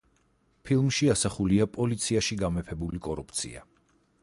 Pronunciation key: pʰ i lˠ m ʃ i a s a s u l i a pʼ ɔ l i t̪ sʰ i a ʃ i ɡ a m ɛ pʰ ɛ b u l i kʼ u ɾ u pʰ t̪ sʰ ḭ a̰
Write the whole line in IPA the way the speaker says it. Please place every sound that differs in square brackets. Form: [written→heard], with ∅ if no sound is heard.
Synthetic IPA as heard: pʰ i lˠ m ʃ i a s a [s→χ] u l i a pʼ ɔ l i t̪ sʰ i a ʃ i ɡ a m ɛ pʰ ɛ b u l i kʼ [u→ɔ] ɾ u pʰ t̪ sʰ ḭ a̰